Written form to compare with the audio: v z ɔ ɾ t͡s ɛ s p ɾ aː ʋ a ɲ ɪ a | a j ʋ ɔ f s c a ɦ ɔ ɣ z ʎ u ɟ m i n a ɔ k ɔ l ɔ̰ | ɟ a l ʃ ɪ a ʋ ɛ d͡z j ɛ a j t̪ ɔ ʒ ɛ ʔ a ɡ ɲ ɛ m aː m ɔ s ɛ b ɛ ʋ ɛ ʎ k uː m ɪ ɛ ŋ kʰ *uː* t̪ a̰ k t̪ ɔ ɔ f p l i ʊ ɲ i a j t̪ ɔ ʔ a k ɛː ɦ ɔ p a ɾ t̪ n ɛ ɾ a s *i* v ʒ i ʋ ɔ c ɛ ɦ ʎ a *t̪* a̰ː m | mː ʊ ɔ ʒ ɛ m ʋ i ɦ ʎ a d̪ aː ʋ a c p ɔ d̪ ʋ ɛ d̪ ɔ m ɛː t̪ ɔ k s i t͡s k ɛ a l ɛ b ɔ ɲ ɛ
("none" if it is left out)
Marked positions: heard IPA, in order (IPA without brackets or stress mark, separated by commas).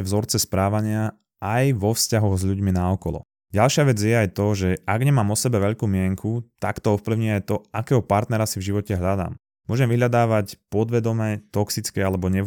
u, i, d̪